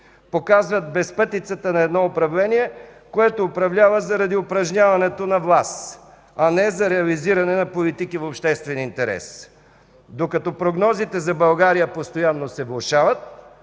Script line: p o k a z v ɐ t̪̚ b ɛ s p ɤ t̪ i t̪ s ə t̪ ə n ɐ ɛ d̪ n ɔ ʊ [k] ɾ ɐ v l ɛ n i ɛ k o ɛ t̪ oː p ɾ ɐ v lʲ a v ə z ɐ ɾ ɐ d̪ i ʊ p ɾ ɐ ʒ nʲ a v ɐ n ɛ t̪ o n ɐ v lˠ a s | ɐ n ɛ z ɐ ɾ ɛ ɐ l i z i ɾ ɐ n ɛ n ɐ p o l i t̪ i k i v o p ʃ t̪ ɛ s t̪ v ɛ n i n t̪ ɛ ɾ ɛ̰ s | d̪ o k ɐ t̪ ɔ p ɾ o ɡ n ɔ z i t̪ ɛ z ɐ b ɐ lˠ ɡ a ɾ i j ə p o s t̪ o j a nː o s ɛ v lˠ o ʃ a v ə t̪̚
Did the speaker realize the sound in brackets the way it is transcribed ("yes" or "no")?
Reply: no